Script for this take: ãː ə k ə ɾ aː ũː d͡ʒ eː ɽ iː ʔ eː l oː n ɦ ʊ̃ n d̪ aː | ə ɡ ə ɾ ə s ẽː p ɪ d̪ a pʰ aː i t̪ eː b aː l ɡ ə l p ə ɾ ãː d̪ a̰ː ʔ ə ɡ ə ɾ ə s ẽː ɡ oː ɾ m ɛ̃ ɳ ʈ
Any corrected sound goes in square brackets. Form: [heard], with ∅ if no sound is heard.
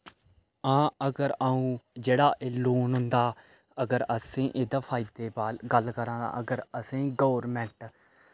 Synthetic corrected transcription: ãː ə [ɡ] ə ɾ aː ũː d͡ʒ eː ɽ [aː] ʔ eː l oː n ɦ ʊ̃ n d̪ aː | ə ɡ ə ɾ ə s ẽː [ʔ] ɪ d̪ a pʰ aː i [d̪] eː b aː l ɡ ə l [k] ə ɾ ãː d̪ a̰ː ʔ ə ɡ ə ɾ ə s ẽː ɡ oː ɾ m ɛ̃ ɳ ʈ

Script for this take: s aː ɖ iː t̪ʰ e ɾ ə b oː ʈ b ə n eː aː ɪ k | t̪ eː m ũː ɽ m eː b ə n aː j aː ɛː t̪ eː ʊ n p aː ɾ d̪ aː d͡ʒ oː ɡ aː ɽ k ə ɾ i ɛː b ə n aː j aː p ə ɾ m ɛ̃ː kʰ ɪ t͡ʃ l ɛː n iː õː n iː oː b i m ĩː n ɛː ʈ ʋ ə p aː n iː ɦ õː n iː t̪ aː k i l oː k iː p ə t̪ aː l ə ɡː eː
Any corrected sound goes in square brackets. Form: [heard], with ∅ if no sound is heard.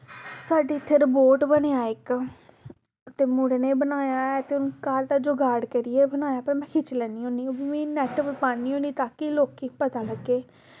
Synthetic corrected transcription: s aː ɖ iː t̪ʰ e ɾ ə b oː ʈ b ə n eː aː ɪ k | t̪ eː m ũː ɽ [n] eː b ə n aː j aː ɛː t̪ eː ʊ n [k] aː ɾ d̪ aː d͡ʒ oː ɡ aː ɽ k ə ɾ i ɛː b ə n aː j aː p ə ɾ m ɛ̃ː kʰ ɪ t͡ʃ l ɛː n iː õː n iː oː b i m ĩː n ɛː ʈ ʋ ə p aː n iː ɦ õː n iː t̪ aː k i l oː k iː p ə t̪ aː l ə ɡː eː

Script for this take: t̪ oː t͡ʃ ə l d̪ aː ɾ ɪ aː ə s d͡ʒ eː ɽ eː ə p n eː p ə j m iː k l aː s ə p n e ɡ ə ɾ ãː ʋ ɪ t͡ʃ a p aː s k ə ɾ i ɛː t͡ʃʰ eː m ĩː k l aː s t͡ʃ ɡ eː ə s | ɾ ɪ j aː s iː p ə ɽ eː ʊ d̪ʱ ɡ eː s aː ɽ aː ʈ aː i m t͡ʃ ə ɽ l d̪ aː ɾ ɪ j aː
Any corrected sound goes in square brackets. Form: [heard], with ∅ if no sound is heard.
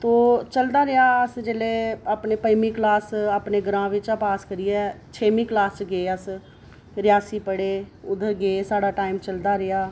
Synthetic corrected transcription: t̪ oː t͡ʃ ə l d̪ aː ɾ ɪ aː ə s d͡ʒ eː [l] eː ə p n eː p ə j m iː k l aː s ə p n e ɡ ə ɾ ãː ʋ ɪ t͡ʃ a p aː s k ə ɾ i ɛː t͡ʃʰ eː m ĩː k l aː s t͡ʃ ɡ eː ə s | ɾ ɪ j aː s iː p ə ɽ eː ʊ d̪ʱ ɡ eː s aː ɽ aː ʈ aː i m t͡ʃ ə [∅] l d̪ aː ɾ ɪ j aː

